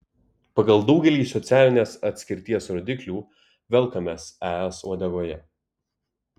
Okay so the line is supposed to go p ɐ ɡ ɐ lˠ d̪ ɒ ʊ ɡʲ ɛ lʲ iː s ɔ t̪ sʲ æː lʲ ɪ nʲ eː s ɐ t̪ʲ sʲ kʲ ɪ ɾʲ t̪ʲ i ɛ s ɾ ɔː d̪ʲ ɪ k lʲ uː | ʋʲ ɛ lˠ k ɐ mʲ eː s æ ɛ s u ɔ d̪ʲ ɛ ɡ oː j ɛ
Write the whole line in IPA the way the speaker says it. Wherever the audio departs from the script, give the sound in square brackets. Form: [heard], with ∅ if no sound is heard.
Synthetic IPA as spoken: p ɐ ɡ ɐ lˠ d̪ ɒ ʊ ɡʲ ɛ lʲ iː s ɔ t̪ sʲ æː lʲ ɪ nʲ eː s ɐ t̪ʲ sʲ kʲ ɪ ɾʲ t̪ʲ i ɛ s ɾ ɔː d̪ʲ ɪ k lʲ uː | ʋʲ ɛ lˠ k ɐ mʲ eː s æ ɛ s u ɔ d̪ʲ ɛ ɡ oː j ɛ